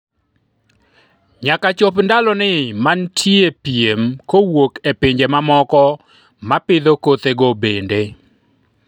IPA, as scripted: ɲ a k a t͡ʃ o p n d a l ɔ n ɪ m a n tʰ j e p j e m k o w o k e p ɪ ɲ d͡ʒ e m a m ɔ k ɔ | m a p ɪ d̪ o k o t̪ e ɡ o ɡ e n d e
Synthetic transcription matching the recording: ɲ a k a t͡ʃ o p n d a l ɔ n ɪ m a n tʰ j e p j e m k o w o k e p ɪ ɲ d͡ʒ e m a m ɔ k ɔ | m a p ɪ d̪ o k o t̪ e ɡ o b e n d e